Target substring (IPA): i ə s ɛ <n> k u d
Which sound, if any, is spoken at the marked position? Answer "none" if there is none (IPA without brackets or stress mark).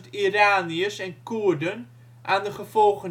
n